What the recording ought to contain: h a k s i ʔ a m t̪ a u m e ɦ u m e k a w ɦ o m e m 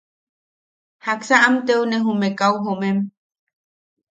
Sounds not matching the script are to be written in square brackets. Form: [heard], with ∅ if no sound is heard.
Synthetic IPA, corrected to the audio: h a k s [a] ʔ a m t̪ [e] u [n] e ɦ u m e k a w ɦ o m e m